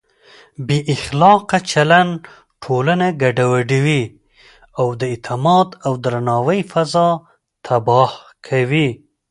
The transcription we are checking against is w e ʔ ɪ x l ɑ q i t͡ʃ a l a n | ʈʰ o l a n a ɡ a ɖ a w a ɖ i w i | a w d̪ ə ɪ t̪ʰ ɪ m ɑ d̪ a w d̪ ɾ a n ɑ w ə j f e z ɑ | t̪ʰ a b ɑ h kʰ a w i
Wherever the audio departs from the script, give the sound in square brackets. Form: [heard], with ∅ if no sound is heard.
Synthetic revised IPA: [b] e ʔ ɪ x l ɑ q [a] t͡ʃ a l a n | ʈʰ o l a n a ɡ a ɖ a w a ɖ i w i | a w d̪ ə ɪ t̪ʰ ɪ m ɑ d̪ a w d̪ ɾ a n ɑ w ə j f [a] z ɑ | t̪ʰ a b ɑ h kʰ a w i